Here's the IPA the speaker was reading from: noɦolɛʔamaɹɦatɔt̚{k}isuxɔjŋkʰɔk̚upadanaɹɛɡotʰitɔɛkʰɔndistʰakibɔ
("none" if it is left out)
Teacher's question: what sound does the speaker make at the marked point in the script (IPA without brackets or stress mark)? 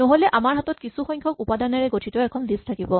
k